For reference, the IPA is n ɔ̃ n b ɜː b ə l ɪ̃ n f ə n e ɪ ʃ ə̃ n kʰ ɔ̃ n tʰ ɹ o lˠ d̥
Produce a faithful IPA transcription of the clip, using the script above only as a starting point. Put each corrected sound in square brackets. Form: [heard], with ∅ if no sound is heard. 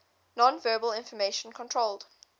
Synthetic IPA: n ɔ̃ n [v] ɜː b ə l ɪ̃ n f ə [m] e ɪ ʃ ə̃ n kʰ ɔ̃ n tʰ ɹ o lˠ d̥